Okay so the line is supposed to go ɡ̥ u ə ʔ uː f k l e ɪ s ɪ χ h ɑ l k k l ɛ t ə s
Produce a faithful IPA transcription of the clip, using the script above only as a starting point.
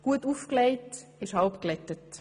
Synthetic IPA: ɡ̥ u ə t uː f k l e ɪ t ɪ ʃ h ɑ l p k l ɛ t ə t